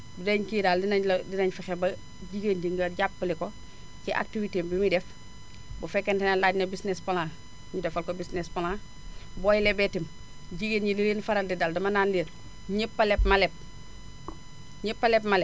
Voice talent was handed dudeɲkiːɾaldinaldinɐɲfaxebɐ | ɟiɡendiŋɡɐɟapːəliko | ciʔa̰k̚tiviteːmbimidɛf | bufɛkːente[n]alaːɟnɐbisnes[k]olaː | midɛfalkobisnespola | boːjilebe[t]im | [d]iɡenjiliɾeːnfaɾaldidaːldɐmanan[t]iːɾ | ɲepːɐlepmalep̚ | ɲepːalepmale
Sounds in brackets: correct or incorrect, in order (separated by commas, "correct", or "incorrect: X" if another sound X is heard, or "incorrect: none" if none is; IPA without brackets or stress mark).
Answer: correct, incorrect: p, correct, incorrect: ɟ, incorrect: d